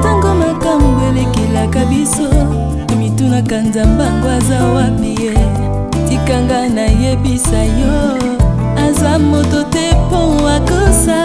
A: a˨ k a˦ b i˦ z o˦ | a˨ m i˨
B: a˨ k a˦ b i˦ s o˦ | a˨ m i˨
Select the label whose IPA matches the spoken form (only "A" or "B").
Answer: B